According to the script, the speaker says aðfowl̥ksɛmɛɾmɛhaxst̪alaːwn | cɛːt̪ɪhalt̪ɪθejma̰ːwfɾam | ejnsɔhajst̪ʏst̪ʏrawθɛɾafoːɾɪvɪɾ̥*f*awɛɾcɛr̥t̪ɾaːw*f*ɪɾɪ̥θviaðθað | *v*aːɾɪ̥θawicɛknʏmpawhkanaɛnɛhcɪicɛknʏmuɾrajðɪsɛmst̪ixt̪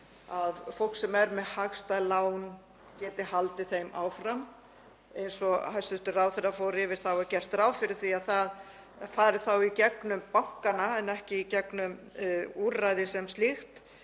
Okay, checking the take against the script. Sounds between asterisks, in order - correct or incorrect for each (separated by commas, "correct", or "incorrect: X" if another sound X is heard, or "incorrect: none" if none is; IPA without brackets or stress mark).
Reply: incorrect: θ, correct, incorrect: f